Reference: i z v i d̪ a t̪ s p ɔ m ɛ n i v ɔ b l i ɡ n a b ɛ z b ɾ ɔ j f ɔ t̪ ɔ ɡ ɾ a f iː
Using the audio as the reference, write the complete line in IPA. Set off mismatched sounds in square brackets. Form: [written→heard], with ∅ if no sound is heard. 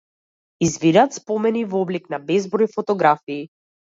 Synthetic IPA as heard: i z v i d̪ a t̪ s p ɔ m ɛ n i v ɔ b l i [ɡ→k] n a b ɛ z b ɾ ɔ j f ɔ t̪ ɔ ɡ ɾ a f iː